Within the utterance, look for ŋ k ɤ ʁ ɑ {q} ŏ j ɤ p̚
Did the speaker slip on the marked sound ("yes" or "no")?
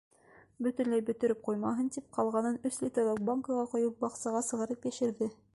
no